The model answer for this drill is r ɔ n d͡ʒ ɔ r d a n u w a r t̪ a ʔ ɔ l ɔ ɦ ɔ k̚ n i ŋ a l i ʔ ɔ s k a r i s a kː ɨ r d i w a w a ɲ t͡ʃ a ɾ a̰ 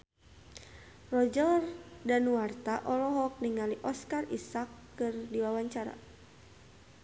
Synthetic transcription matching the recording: r ɔ d͡ʒ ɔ r d a n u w a r t̪ a ʔ ɔ l ɔ ɦ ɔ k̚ n i ŋ a l i ʔ ɔ s k a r i s a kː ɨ r d i w a w a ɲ t͡ʃ a ɾ a̰